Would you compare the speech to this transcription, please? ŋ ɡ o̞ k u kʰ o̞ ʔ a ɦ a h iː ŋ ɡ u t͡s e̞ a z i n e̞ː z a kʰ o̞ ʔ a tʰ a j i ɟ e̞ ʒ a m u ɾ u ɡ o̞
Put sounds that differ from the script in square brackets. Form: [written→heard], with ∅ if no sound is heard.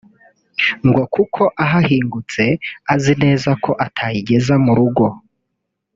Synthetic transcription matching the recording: ŋ ɡ o̞ k u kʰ o̞ ʔ a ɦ a h iː ŋ ɡ u t͡s e̞ a z i n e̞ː z a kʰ o̞ ʔ a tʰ a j i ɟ e̞ [ʒ→z] a m u ɾ u ɡ o̞